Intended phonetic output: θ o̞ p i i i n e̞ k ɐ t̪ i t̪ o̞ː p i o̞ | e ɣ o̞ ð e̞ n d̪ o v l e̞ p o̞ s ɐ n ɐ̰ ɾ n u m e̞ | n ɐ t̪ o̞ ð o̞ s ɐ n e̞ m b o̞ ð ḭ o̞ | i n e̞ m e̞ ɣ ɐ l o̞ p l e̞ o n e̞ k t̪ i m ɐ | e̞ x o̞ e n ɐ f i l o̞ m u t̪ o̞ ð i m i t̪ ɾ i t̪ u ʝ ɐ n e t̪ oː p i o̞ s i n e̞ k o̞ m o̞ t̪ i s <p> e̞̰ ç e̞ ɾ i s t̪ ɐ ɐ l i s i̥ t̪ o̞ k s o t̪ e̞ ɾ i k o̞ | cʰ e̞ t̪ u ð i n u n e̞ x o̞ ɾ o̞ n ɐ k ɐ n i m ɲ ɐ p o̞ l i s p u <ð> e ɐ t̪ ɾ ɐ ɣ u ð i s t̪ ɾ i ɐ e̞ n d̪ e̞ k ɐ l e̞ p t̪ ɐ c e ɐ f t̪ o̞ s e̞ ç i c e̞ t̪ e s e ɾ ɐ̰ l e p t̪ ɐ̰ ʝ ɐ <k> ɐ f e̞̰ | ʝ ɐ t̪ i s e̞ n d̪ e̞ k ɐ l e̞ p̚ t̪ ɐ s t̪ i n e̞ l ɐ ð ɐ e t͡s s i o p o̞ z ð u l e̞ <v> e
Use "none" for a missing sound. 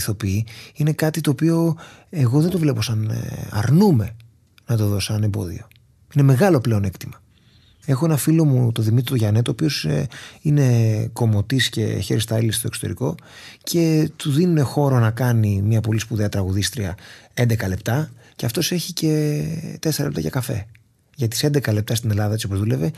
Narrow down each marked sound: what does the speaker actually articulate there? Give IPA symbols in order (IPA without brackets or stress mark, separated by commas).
c, ð, k, v